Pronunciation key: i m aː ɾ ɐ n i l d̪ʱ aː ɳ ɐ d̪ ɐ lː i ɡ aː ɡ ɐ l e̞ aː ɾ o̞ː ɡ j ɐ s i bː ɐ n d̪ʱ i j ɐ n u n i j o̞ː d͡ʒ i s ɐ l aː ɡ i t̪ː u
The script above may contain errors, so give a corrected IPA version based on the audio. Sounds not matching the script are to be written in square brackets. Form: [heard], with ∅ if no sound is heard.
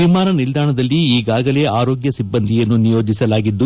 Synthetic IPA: i m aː ɾ ɐ n i l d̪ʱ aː ɳ ɐ d̪ ɐ lː [iː] ɡ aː ɡ ɐ l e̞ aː ɾ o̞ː ɡ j ɐ s i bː ɐ n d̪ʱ i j ɐ [nː] u n i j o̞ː d͡ʒ i s ɐ l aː ɡ i [d̪ː] u